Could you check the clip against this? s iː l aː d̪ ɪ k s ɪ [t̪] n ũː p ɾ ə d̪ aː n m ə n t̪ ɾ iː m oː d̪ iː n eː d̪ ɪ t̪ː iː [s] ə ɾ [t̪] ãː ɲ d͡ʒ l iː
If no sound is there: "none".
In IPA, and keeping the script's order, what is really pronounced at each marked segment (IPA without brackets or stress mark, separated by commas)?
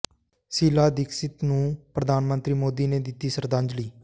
t̪, s, d̪